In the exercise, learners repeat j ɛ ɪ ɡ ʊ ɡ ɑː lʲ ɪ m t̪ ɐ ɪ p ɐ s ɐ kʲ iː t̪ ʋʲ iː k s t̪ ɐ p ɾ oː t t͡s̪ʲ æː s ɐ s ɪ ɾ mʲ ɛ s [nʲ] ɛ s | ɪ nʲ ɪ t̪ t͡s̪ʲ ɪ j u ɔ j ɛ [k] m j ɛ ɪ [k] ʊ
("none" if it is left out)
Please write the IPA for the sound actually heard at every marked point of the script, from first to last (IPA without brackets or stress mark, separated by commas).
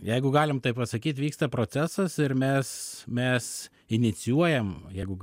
mʲ, none, ɡ